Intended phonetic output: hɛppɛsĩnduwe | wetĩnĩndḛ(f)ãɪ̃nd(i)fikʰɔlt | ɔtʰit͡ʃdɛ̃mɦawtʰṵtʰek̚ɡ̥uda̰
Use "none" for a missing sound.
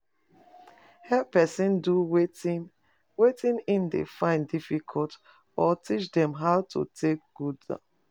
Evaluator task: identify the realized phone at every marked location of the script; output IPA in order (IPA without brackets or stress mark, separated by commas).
f, i